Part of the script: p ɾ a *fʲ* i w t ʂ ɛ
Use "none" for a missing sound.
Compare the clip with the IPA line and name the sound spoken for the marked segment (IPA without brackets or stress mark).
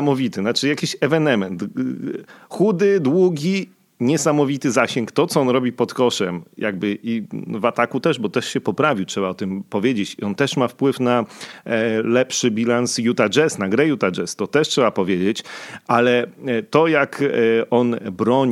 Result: vʲ